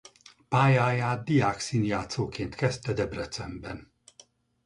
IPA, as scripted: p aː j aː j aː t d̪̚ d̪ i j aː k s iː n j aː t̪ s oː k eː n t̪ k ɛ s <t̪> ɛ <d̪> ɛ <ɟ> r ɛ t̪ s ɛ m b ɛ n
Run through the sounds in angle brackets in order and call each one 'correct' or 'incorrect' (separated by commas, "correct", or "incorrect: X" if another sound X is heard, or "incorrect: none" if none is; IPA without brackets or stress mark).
correct, correct, incorrect: b